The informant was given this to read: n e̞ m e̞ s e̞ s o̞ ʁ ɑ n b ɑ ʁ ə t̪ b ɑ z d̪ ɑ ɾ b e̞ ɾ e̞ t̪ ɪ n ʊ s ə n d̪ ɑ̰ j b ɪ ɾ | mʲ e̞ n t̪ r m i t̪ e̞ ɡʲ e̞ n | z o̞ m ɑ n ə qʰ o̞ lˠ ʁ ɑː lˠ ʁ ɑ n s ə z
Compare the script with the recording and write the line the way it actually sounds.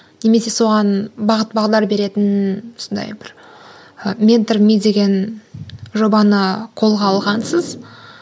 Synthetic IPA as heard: n e̞ m e̞ s e̞ s o̞ ʁ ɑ n b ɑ ʁ ə t̪ b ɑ ʁ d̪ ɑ ɾ b e̞ ɾ e̞ t̪ ɪ n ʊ s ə n d̪ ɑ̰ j b ɪ ɾ | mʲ e̞ n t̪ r m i d̪ e̞ ɡʲ e̞ n | ʒ o̞ b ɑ n ə qʰ o̞ lˠ ʁ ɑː lˠ ʁ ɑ n s ə z